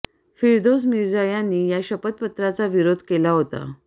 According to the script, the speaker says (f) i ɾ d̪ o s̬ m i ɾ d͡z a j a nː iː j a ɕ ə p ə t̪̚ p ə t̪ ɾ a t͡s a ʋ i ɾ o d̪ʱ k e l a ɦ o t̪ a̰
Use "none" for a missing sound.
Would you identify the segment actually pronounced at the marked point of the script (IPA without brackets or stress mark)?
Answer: f